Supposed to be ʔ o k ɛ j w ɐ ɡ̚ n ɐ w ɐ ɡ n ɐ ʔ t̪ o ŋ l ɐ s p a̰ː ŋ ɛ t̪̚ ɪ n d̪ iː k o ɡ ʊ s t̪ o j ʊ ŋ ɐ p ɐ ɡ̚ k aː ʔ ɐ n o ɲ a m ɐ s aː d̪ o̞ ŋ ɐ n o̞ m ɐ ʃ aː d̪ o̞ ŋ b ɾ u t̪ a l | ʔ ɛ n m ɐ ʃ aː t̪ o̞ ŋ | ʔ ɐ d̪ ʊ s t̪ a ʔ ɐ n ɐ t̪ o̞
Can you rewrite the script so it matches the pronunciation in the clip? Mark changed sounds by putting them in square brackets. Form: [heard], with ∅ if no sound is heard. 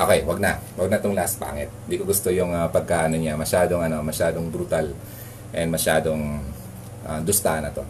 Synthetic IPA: ʔ o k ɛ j w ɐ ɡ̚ n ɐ w ɐ ɡ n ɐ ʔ t̪ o ŋ l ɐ s p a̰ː ŋ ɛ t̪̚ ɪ n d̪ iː k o ɡ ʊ s t̪ o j ʊ ŋ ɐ p ɐ ɡ̚ k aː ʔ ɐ n o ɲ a m ɐ [ʃ] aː d̪ o̞ ŋ ɐ n o̞ m ɐ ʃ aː d̪ o̞ ŋ b ɾ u t̪ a l | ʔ ɛ n m ɐ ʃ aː [d̪] o̞ ŋ | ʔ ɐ d̪ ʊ s t̪ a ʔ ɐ n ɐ t̪ o̞